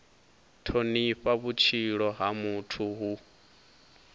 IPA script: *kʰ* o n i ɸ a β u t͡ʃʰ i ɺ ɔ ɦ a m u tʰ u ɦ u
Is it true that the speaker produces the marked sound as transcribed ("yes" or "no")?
no